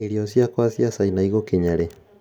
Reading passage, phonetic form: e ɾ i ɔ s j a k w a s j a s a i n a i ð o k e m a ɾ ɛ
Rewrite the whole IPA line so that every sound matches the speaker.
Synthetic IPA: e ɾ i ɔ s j a k w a s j a s a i n a i ɣ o k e ɲ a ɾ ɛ